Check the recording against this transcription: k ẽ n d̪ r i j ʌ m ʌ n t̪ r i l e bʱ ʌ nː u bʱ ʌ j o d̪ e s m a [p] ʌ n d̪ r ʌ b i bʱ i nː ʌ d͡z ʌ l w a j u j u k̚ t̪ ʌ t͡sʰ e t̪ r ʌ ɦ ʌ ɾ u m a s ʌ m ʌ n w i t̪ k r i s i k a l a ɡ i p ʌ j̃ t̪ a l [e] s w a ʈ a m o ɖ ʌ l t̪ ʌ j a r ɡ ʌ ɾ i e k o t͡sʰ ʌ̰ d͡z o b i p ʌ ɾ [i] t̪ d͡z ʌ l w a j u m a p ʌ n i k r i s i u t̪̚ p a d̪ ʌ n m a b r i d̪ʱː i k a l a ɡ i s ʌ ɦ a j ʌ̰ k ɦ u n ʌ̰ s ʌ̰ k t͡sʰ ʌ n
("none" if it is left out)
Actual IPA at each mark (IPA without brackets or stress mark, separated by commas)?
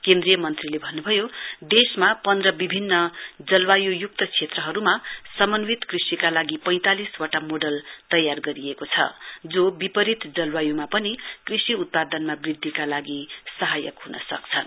p, i, i